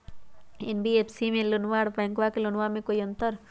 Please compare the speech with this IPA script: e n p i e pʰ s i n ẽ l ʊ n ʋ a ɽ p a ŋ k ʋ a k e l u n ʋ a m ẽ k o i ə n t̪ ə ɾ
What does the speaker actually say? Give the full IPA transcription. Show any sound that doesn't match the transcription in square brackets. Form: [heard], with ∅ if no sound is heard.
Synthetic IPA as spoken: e n [b] i e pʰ s i [m] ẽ l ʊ n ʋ a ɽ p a ŋ k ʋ a k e l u n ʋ a m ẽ k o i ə n t̪ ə ɾ